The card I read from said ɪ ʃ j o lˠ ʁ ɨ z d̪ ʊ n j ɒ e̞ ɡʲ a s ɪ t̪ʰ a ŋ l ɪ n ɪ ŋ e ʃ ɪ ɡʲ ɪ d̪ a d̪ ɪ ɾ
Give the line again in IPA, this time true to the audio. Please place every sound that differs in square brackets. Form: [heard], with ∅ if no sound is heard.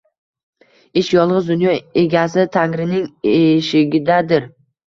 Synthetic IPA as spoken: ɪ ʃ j [ɒ] lˠ ʁ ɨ z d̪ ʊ n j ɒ e̞ ɡʲ a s ɪ t̪ʰ a ŋ [ɾ] ɪ n ɪ ŋ e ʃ ɪ ɡʲ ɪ d̪ a d̪ ɪ ɾ